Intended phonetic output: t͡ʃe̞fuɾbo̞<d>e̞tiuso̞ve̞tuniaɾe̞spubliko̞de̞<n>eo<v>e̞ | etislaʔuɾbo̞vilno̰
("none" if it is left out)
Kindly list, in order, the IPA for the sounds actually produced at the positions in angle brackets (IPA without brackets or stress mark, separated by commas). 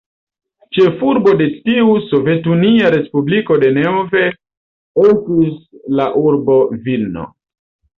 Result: d, n, v